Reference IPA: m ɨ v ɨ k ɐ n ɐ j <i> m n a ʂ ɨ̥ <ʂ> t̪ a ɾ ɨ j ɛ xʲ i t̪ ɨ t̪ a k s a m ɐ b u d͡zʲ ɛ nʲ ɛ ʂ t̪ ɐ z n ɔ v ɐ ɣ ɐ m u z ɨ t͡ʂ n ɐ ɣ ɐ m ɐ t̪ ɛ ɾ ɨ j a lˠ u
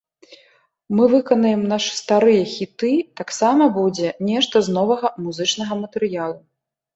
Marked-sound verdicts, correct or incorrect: incorrect, incorrect

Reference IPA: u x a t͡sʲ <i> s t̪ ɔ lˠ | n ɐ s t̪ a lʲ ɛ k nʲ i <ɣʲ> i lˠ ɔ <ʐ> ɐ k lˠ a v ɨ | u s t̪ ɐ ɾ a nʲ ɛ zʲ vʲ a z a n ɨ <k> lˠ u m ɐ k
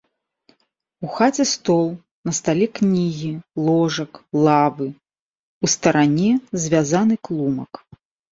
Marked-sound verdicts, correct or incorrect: incorrect, correct, correct, correct

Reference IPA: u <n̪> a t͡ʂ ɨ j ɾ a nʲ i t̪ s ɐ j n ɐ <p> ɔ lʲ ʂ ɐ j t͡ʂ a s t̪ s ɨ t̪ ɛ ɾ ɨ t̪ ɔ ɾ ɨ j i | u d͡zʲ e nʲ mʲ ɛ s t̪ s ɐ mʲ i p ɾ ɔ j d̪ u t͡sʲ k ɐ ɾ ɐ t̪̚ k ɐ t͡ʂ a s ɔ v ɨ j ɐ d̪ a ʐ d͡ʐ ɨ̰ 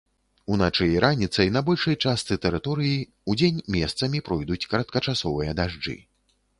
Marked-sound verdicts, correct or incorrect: correct, incorrect

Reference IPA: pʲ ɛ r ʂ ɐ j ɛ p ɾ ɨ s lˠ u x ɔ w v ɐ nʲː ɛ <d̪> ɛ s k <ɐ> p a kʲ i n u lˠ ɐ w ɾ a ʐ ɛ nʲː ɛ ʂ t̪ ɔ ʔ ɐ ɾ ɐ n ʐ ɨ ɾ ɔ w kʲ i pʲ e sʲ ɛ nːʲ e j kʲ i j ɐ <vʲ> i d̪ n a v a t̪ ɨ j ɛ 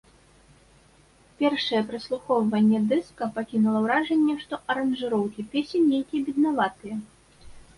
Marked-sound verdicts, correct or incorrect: correct, correct, incorrect

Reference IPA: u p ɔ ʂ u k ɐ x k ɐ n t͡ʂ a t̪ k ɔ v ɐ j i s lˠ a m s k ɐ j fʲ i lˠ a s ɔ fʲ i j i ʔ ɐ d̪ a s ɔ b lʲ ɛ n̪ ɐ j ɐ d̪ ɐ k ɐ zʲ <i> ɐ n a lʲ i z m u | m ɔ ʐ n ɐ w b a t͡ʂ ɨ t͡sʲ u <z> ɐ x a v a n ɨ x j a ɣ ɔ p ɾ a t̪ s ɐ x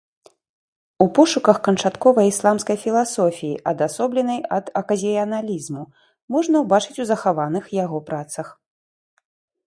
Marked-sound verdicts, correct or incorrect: correct, correct

